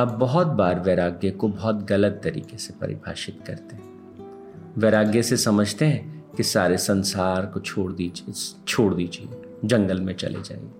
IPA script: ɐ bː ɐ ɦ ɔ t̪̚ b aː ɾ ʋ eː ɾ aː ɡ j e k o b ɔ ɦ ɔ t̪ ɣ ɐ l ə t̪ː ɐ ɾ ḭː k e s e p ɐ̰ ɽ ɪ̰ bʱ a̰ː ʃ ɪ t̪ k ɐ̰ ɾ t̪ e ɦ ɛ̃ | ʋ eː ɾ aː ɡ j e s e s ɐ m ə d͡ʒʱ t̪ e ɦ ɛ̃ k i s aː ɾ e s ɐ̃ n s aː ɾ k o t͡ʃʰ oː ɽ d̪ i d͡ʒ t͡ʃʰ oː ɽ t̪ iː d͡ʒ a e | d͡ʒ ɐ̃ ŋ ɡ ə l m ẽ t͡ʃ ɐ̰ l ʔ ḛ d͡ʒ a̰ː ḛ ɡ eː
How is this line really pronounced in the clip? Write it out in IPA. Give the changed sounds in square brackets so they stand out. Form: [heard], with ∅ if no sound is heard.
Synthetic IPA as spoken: ɐ bː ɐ ɦ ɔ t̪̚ b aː ɾ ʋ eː ɾ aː ɡ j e k o b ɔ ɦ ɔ t̪ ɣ ɐ l ə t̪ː ɐ ɾ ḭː k e s e p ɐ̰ [ɾ] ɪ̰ bʱ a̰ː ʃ ɪ t̪ k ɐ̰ ɾ t̪ e ɦ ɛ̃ | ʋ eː ɾ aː ɡ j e s e s ɐ m ə d͡ʒʱ t̪ e ɦ ɛ̃ k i s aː ɾ e s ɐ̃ n s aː ɾ k o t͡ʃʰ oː ɽ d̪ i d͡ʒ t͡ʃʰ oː ɽ [d̪] iː d͡ʒ [i] e | d͡ʒ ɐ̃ ŋ ɡ ə l m ẽ t͡ʃ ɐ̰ l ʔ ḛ d͡ʒ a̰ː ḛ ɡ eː